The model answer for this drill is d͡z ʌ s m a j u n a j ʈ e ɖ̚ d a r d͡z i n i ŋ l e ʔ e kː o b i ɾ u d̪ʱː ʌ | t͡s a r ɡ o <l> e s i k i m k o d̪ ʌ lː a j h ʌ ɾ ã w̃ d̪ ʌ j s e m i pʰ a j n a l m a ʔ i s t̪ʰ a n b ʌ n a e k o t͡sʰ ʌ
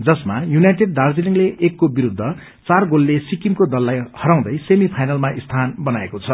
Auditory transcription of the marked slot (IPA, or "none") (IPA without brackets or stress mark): lː